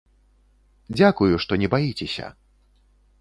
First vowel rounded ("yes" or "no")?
no